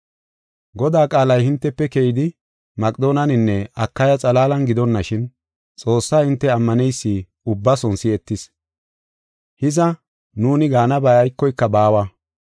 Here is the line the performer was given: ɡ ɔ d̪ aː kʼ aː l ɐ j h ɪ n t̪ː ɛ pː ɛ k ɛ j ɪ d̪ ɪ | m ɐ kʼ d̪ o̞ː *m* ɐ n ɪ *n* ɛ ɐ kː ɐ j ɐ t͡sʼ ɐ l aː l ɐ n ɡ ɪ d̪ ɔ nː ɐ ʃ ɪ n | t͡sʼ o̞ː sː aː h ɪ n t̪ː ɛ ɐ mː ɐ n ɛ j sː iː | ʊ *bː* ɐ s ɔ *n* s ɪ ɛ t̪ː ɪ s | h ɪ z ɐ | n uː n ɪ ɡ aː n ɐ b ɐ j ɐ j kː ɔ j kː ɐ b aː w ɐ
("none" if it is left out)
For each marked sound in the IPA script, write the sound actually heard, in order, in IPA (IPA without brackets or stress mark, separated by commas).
n, nː, bː, n